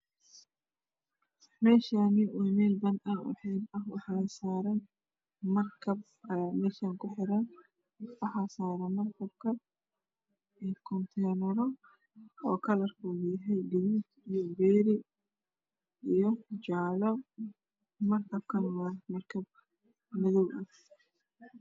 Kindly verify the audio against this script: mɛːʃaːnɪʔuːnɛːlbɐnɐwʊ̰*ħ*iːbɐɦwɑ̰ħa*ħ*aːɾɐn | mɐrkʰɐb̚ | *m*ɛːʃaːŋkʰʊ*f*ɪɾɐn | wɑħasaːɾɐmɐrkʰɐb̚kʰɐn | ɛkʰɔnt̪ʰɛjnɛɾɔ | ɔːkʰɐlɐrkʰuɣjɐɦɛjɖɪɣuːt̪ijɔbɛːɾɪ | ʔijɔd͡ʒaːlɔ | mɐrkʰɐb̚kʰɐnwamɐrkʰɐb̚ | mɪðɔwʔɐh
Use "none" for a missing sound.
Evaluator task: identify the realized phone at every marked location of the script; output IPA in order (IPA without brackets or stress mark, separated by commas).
ħ, s, m, ħ